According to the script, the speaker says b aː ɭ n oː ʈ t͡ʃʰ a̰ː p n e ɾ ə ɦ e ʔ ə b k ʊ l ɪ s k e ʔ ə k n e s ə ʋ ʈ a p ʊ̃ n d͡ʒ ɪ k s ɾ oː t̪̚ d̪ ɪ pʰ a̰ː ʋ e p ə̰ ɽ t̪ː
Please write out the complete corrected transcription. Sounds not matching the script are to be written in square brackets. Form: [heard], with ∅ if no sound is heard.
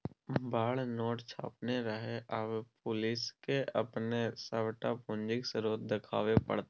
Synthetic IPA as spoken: b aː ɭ n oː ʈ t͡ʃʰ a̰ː p n e ɾ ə ɦ e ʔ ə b [p] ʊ l ɪ s k e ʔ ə [p] n e s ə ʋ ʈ a p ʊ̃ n d͡ʒ ɪ k s ɾ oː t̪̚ d̪ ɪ [kʰ] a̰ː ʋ e p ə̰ ɽ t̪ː

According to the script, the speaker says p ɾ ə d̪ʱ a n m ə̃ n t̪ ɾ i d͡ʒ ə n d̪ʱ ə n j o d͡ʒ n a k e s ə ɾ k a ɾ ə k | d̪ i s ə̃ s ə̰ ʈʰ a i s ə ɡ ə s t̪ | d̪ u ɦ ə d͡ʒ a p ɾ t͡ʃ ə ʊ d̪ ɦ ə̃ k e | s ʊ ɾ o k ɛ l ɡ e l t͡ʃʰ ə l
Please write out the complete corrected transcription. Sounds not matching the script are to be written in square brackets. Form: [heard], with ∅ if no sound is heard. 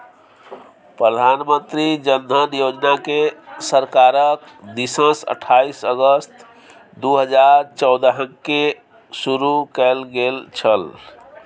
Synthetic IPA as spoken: p ɾ ə d̪ʱ a n m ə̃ n t̪ ɾ i d͡ʒ ə n d̪ʱ ə n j o d͡ʒ n a k e s ə ɾ k a ɾ ə k | d̪ i s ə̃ s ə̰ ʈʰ a i s ə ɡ ə s t̪ | d̪ u ɦ ə d͡ʒ a [∅] ɾ t͡ʃ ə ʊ d̪ ɦ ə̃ k e | s [u] ɾ [u] k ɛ l ɡ e l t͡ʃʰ ə l

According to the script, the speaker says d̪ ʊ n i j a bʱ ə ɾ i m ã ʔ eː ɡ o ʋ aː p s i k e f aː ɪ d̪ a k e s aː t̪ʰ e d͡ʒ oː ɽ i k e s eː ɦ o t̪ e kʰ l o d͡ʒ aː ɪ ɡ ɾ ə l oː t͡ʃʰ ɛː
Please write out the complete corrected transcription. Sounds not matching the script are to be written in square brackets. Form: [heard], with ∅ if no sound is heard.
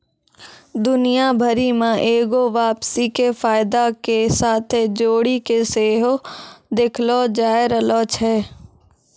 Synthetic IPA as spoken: d̪ ʊ n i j a bʱ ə ɾ i m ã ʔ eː ɡ o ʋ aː p s i k e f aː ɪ d̪ a k e s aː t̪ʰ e d͡ʒ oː ɽ i k e s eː ɦ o [d̪] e kʰ l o d͡ʒ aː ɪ [∅] ɾ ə l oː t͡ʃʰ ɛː

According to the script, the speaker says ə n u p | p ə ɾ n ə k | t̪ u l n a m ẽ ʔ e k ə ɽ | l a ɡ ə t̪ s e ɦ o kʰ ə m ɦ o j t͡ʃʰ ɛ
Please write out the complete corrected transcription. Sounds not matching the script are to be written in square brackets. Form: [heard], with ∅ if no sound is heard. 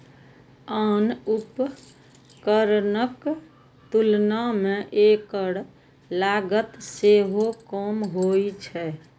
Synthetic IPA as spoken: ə n u p | [k] ə ɾ n ə k | t̪ u l n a m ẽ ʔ e k ə ɽ | l a ɡ ə t̪ s e ɦ o [k] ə m ɦ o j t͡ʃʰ ɛ

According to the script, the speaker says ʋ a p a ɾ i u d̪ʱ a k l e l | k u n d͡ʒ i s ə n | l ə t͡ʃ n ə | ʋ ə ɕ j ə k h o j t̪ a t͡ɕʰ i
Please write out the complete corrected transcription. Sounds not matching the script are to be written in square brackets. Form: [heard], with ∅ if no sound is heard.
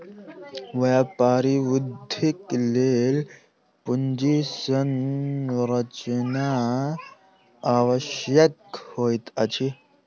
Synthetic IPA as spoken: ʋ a p a ɾ i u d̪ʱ [i] k l e l | [p] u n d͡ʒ i s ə n | [ɾ] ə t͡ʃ n [a] | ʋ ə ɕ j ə k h o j t̪ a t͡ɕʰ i

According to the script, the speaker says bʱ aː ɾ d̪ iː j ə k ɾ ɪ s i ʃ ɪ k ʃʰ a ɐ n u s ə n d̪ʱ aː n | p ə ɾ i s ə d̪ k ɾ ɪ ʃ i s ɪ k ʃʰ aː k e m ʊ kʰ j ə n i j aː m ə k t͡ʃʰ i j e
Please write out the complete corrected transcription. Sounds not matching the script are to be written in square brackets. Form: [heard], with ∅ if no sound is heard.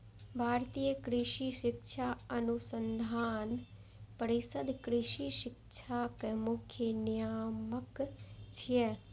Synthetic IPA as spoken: bʱ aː ɾ [t̪] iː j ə k ɾ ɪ [ʃ] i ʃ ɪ k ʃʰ a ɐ n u s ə n d̪ʱ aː n | p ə ɾ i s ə d̪ k ɾ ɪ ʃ i [ʃ] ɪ k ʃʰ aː k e m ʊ kʰ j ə n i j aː m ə k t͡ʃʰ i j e

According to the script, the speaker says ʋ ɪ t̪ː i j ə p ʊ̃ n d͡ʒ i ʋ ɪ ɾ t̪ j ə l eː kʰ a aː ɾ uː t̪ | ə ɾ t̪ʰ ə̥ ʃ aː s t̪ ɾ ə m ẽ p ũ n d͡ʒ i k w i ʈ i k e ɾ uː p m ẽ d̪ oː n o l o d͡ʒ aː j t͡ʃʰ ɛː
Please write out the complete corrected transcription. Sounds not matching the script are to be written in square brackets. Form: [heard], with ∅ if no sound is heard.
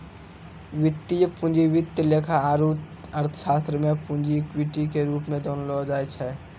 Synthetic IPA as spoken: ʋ ɪ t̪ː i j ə p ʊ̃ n d͡ʒ i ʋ ɪ [∅] t̪ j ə l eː kʰ a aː ɾ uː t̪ | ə ɾ t̪ʰ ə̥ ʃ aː s t̪ ɾ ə m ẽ p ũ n d͡ʒ i k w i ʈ i k e ɾ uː p m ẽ d̪ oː n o l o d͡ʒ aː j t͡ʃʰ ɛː

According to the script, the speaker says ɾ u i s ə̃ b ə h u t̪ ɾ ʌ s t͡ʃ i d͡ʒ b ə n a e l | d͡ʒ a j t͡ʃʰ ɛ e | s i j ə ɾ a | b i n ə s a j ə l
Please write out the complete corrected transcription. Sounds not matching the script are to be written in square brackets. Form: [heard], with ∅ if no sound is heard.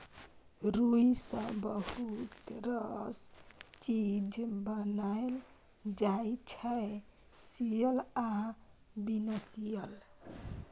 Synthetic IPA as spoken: ɾ u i s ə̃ b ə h u t̪ ɾ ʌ s t͡ʃ i d͡ʒ b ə n a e l | d͡ʒ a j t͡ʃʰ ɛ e | s i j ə [l] a | b i n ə s [i] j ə l

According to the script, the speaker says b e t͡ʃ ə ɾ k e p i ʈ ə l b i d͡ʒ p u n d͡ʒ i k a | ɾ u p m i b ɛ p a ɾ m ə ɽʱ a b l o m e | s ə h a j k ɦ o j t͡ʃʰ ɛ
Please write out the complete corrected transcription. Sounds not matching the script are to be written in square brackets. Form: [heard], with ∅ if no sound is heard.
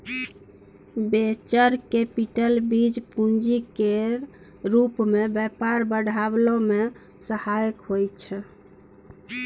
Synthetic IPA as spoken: b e t͡ʃ ə ɾ k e p i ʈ ə l b i d͡ʒ p u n d͡ʒ i k [e] | ɾ u p m [e] b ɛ p a ɾ [b] ə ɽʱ a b l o m e | s ə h a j k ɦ o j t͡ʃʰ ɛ

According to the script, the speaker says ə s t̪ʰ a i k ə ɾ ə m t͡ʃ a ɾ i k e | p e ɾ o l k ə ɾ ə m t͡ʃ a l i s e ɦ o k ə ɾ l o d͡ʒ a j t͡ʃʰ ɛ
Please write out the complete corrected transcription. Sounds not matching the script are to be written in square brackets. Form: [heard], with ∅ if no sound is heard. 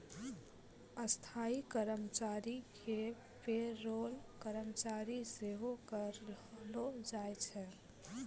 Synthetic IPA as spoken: ə s t̪ʰ a i k ə ɾ ə m t͡ʃ a ɾ i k e | p e ɾ o l k ə ɾ ə m t͡ʃ a [ɾ] i s e ɦ o k ə ɾ l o d͡ʒ a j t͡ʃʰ ɛ

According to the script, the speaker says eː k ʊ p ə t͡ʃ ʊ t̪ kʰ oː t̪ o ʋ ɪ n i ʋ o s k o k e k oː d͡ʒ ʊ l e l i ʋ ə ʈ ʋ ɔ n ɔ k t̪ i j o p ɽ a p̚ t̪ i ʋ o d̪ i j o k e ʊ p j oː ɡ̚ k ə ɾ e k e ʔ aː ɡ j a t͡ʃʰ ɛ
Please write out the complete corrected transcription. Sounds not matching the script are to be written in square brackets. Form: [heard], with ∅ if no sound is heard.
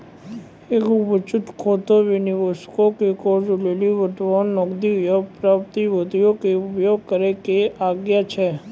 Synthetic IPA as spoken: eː k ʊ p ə t͡ʃ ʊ t̪ kʰ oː t̪ o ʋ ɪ n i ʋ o s k o k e k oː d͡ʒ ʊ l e l i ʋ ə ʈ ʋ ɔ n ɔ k [d̪] i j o p [ɾ] a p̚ t̪ i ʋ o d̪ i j o k e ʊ p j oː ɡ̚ k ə ɾ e k e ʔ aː ɡ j a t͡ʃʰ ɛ

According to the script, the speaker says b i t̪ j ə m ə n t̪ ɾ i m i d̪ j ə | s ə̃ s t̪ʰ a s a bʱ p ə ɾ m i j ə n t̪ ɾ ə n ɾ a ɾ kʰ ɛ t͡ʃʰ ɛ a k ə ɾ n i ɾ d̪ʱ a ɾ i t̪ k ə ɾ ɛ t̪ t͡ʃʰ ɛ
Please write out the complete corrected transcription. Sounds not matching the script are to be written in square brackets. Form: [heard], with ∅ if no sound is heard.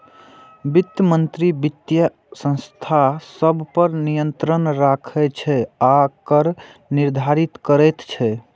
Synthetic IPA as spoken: b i t̪ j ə m ə n t̪ ɾ i [b] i [t̪] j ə | s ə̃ s t̪ʰ a s [ə] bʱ p ə ɾ [n] i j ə n t̪ ɾ ə n ɾ a [∅] kʰ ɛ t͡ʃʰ ɛ a k ə ɾ n i ɾ d̪ʱ a ɾ i t̪ k ə ɾ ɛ t̪ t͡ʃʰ ɛ

